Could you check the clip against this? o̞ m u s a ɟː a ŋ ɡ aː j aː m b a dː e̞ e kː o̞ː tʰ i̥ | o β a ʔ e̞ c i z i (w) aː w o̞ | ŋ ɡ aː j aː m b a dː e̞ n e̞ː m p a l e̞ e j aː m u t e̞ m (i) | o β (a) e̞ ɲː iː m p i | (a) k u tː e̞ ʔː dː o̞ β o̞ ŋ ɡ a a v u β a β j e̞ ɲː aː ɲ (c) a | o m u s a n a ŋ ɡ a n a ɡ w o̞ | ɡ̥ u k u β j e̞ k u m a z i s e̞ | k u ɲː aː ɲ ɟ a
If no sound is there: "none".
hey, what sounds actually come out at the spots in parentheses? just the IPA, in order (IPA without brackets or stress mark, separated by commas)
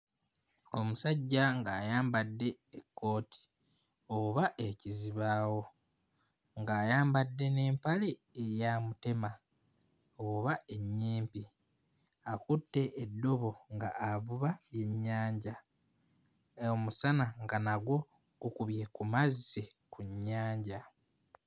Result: β, a, a, a, ɟ